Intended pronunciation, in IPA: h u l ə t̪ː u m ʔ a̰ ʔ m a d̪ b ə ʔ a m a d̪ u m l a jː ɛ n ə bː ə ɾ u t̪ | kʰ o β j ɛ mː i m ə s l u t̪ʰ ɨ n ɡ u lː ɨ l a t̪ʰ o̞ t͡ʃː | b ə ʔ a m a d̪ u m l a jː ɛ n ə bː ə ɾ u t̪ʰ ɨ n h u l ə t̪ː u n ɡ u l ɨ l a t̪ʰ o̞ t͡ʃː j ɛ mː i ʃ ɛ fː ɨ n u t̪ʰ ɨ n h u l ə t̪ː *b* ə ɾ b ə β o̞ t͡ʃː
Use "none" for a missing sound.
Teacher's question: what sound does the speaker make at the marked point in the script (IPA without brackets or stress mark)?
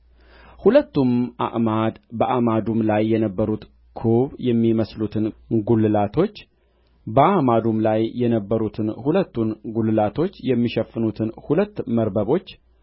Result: m